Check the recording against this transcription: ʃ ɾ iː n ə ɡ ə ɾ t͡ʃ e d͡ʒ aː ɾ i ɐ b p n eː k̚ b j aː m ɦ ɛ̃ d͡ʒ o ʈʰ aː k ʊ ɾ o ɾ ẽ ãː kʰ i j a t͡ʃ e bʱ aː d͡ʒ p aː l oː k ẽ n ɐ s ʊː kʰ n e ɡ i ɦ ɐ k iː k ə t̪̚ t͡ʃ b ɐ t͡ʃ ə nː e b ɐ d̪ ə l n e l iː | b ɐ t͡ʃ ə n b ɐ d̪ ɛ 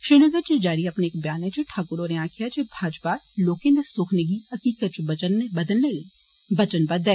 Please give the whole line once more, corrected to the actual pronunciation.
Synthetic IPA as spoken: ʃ ɾ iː n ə ɡ ə ɾ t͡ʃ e d͡ʒ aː ɾ i ɐ p n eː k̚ b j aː n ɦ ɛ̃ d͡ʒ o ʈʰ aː k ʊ ɾ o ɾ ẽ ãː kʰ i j a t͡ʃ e bʱ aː d͡ʒ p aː l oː k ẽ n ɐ s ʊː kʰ n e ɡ i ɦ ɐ k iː k ə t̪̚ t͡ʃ b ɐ t͡ʃ ə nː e b ɐ d̪ ə l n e l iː | b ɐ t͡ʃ ə n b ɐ d̪ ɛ

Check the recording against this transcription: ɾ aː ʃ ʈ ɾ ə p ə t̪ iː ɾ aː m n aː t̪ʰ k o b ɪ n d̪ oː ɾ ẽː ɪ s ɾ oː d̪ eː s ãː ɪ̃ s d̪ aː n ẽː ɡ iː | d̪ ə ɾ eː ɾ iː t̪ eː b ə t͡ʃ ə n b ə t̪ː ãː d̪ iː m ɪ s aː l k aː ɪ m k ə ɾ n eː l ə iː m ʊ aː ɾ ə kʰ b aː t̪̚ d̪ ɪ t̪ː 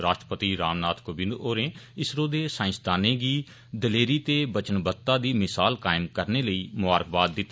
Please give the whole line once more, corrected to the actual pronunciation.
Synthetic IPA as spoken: ɾ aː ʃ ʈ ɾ ə p ə t̪ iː ɾ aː m n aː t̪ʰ k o b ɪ n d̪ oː ɾ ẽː ɪ s ɾ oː d̪ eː s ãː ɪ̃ s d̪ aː n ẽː ɡ iː | d̪ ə l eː ɾ iː t̪ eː b ə t͡ʃ ə n b ə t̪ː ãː d̪ iː m ɪ s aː l k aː ɪ m k ə ɾ n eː l ə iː m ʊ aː ɾ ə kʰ b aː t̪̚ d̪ ɪ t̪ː

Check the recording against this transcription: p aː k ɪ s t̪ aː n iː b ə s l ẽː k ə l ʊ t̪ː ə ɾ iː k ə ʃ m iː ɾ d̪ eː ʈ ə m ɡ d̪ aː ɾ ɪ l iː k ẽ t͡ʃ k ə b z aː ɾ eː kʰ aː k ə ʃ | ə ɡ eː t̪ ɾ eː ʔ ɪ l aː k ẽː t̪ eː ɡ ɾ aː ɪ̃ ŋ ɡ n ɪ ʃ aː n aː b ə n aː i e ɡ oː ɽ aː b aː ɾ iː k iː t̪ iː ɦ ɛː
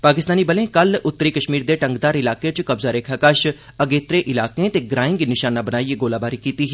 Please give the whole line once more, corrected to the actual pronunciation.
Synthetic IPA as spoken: p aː k ɪ s t̪ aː n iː b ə l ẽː k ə l ʊ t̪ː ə ɾ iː k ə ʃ m iː ɾ d̪ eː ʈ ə ŋ ɡ d̪ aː ɾ ɪ l aː k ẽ t͡ʃ k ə b z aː ɾ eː kʰ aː k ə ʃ | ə ɡ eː t̪ ɾ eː ʔ ɪ l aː k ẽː t̪ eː ɡ ɾ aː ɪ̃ ŋ ɡ n ɪ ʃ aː n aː b ə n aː i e ɡ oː l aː b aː ɾ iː k iː t̪ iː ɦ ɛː

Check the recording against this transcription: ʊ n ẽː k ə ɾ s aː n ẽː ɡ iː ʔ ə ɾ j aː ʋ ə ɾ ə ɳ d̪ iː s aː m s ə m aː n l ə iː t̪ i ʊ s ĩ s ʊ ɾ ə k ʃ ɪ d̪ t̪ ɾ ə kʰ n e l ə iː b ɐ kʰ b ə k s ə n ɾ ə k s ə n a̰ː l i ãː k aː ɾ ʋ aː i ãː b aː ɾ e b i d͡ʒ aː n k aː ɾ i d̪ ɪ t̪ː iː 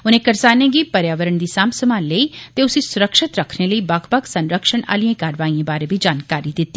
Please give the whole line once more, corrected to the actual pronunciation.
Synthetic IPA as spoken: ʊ n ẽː k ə ɾ s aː n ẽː ɡ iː p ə ɾ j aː ʋ ə ɾ ə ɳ d̪ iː s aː m s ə m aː n l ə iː t̪ e ʊ s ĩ s ʊ ɾ ə k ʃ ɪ t̪ ɾ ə kʰ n e l ə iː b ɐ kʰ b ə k s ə n ɾ ə k ʃ ə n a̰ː l i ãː k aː ɾ ʋ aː i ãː b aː ɾ e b i d͡ʒ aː n k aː ɾ i d̪ ɪ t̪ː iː

